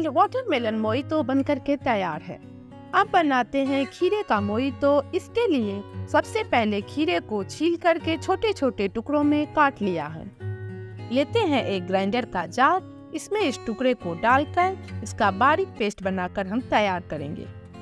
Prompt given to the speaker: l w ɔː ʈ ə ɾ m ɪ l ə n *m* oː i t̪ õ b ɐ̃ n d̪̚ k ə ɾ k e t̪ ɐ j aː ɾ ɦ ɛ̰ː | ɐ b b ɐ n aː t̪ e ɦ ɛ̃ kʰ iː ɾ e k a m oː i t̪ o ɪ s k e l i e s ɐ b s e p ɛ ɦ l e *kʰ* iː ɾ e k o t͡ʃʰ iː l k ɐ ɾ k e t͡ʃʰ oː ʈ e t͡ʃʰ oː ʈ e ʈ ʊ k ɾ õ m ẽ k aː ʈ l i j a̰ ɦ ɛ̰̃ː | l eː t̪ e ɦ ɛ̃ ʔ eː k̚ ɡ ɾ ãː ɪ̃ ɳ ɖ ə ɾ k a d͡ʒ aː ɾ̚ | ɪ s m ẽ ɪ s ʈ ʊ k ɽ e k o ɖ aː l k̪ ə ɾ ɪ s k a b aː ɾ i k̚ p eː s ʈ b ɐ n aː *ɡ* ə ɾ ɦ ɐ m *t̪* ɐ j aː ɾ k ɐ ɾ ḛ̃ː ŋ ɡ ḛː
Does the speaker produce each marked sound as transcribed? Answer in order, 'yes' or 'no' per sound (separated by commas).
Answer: yes, yes, no, yes